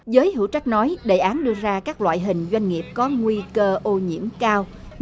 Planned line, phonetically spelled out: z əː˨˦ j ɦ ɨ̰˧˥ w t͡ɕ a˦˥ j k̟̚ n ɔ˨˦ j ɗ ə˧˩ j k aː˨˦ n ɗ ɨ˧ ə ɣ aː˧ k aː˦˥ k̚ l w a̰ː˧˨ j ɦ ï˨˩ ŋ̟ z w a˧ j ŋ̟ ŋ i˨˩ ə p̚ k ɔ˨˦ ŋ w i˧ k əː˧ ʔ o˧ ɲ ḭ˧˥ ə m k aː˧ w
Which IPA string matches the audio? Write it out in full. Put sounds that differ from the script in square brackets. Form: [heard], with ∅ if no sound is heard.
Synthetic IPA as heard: z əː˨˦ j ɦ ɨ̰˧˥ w t͡ɕ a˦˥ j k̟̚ n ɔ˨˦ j ɗ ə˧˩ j [ʔ] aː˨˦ n ɗ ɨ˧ ə [z] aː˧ k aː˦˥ k̚ l w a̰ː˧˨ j ɦ ï˨˩ ŋ̟ z w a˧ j ŋ̟ ŋ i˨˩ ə p̚ k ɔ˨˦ ŋ w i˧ k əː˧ ʔ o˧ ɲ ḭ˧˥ ə m k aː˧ w